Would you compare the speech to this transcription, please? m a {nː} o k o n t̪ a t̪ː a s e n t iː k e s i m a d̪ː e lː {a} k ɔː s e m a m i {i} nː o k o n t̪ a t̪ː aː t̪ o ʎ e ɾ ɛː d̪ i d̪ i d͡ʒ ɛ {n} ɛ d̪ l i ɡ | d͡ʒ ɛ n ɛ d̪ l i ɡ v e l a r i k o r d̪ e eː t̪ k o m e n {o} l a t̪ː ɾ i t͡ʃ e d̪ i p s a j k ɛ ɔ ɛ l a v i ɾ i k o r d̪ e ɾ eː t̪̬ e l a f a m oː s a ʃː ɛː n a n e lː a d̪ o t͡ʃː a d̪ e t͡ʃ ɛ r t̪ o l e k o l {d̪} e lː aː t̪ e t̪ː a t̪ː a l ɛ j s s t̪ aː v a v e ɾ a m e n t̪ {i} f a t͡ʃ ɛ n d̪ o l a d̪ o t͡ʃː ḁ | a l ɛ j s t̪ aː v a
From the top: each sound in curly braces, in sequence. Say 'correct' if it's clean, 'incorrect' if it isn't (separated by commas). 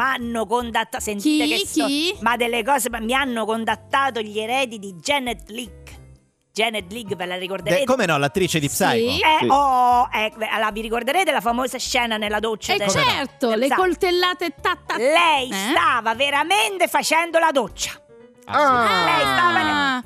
correct, incorrect, incorrect, correct, incorrect, incorrect, incorrect